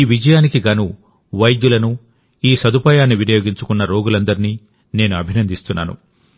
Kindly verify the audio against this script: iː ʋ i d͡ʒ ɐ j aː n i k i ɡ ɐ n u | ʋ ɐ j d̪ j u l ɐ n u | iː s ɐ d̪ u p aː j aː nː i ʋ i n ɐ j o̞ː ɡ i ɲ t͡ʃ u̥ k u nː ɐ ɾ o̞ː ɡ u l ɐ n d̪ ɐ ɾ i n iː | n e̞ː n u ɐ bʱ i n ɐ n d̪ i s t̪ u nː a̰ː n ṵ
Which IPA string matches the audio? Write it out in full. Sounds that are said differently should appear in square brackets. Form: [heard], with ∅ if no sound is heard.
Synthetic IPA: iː ʋ i d͡ʒ ɐ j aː n i k i ɡ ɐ n u | ʋ ɐ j d̪ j u l ɐ n u | iː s ɐ d̪ u p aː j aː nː i ʋ i n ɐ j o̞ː ɡ i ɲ t͡ʃ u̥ k u nː ɐ ɾ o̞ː ɡ u l ɐ n d̪ ɐ ɾ i n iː | n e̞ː n u ɐ bʱ i n ɐ n d̪ i s t̪ u nː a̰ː n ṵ

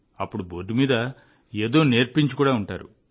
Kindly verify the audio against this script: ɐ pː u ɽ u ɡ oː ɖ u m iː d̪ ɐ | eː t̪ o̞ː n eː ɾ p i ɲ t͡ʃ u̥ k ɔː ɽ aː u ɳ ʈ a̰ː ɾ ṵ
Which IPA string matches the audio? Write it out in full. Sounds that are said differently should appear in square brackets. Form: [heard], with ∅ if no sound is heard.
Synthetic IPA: ɐ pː u ɽ u [b] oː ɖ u m iː d̪ ɐ | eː [d̪] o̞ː n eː ɾ p i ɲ t͡ʃ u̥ k [uː] ɽ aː u ɳ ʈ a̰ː ɾ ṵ

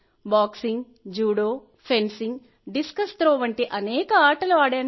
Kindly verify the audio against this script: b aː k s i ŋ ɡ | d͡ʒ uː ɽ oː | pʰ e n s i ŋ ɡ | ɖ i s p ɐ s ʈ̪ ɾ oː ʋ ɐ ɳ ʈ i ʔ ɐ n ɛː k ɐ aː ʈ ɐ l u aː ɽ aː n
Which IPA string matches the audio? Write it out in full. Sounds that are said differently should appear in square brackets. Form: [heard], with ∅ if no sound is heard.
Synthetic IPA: b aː k s i ŋ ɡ | d͡ʒ uː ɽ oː | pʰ e n s i ŋ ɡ | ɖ i s [k] ɐ s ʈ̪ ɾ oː ʋ ɐ ɳ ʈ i ʔ ɐ n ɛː k ɐ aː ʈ ɐ l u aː ɽ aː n

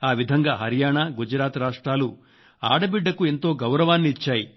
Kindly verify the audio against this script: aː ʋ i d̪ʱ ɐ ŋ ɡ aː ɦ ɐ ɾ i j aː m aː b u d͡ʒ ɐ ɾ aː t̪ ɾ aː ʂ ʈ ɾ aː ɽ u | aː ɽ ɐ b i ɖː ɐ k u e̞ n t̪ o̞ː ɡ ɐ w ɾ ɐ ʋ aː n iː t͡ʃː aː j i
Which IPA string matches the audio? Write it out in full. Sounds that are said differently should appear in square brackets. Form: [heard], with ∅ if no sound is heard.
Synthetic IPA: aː ʋ i d̪ʱ ɐ ŋ ɡ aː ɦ ɐ ɾ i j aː [ɳ] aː [ɡ] u d͡ʒ ɐ ɾ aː t̪ ɾ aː ʂ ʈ ɾ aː [l] u | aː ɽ ɐ b i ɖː ɐ k u e̞ n t̪ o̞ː ɡ ɐ w ɾ ɐ ʋ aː [nː] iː t͡ʃː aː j i

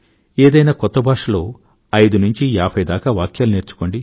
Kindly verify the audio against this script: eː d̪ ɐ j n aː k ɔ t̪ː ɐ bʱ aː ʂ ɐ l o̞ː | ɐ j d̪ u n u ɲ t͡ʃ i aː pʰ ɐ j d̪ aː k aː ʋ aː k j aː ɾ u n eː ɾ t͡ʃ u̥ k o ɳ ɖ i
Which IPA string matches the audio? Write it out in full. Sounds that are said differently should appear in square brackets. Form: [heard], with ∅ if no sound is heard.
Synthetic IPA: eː d̪ ɐ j n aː k ɔ t̪ː ɐ bʱ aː ʂ ɐ l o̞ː | ɐ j d̪ u n u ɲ t͡ʃ i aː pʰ ɐ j d̪ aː k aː ʋ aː k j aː [l] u n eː ɾ t͡ʃ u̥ k o ɳ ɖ i

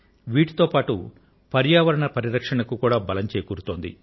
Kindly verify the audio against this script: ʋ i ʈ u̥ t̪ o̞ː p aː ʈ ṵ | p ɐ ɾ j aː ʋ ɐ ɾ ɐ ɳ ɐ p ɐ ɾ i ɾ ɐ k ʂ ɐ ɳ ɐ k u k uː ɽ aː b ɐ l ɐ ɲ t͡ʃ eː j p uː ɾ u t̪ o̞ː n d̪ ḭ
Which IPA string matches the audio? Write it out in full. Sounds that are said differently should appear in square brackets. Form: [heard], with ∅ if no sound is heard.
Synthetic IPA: ʋ [iː] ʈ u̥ t̪ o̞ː p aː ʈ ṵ | p ɐ ɾ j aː ʋ ɐ ɾ ɐ ɳ ɐ p ɐ ɾ i ɾ ɐ k ʂ ɐ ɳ ɐ k u k uː ɽ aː b ɐ l ɐ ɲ t͡ʃ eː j [k] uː ɾ u t̪ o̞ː n d̪ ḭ

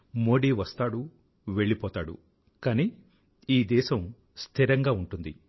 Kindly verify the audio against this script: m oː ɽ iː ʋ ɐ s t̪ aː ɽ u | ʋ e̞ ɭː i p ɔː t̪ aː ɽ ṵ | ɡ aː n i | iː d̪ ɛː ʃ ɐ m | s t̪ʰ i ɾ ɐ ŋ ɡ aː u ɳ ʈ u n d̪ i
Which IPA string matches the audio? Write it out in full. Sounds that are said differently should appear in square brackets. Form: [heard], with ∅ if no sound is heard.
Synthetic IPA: m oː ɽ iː ʋ ɐ s t̪ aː ɽ u | ʋ e̞ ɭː i p ɔː t̪ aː ɽ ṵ | [k] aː n i | iː d̪ ɛː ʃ ɐ m | s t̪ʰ i ɾ ɐ ŋ ɡ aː u ɳ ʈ u n d̪ i

